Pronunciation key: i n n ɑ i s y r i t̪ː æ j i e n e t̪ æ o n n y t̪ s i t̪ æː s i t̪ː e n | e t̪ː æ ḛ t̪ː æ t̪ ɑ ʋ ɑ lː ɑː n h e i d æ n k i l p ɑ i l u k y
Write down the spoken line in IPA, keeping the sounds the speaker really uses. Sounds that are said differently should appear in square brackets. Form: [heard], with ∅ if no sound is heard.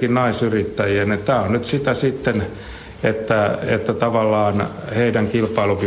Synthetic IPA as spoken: i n n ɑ i s y r i t̪ː æ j i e n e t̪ [æː] o n n y t̪ s i t̪ [æ] s i t̪ː e n | e t̪ː æ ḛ t̪ː æ t̪ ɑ ʋ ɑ lː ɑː n h e i d æ [ŋ] k i l p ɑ i l u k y